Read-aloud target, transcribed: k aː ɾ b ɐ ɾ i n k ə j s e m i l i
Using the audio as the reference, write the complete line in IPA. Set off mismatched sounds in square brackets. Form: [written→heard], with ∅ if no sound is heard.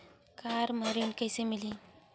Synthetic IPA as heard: k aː ɾ [b→m] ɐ ɾ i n k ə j s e m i l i